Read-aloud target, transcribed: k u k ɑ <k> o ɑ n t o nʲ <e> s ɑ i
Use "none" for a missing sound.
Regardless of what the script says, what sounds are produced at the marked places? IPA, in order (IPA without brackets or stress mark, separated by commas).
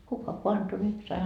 k, i